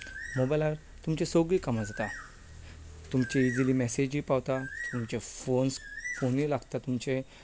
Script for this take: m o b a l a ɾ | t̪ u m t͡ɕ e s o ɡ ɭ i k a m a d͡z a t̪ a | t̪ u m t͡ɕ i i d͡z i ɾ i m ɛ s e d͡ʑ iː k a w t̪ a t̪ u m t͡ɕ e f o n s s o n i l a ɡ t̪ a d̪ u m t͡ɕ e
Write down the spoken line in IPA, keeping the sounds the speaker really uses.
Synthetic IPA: m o b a l a ɾ | t̪ u m t͡ɕ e s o ɡ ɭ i k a m a d͡z a t̪ a | t̪ u m t͡ɕ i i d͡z i l i m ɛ s e d͡ʑ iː p a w t̪ a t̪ u m t͡ɕ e f o n s f o n i l a ɡ t̪ a t̪ u m t͡ɕ e